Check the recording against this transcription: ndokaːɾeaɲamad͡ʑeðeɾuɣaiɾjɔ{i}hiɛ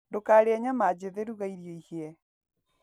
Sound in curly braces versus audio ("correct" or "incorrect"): correct